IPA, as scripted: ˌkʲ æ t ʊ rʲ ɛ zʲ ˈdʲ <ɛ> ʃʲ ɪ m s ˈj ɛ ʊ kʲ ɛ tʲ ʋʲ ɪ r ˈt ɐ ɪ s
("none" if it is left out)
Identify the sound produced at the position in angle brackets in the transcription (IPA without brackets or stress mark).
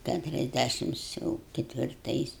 æ